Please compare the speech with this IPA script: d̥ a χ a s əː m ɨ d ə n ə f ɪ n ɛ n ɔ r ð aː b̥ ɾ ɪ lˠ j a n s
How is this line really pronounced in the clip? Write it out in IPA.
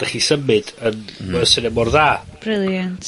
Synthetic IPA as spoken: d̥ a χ i s ə m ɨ d ə n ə s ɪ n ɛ m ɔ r ð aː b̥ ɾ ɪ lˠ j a n t